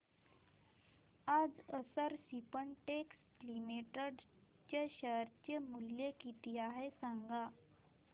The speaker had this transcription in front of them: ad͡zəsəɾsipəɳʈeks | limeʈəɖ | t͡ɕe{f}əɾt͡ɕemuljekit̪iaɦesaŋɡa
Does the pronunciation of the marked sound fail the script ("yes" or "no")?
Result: yes